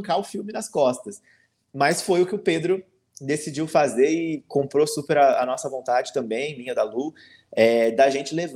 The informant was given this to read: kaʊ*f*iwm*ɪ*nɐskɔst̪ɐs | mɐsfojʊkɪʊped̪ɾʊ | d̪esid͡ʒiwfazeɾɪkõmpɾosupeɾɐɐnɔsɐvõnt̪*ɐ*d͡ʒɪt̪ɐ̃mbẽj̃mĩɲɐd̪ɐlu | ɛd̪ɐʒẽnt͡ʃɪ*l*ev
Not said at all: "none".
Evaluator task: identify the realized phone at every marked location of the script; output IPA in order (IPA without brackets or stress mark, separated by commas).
f, ɪ, a, l